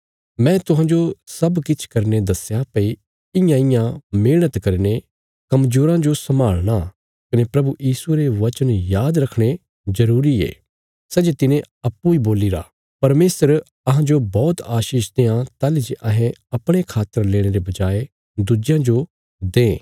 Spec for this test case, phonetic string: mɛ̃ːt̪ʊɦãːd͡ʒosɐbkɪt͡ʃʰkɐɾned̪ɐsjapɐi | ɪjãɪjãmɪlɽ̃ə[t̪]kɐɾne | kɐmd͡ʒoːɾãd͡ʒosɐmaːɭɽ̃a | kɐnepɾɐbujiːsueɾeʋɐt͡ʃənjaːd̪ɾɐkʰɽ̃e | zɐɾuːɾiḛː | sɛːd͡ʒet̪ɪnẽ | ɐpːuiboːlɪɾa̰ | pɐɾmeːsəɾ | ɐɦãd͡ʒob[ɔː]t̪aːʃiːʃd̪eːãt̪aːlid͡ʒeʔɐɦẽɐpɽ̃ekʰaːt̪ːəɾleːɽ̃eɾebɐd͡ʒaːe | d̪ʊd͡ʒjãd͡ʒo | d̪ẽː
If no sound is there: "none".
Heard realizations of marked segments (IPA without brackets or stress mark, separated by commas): t̪, ɔː